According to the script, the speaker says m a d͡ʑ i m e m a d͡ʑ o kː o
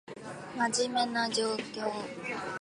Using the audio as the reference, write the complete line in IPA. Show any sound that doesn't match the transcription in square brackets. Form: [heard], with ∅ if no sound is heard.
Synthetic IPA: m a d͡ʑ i m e [n] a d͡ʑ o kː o